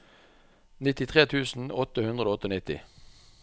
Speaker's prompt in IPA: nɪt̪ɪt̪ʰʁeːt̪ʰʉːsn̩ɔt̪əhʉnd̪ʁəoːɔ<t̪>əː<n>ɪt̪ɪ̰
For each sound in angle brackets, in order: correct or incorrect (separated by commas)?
correct, correct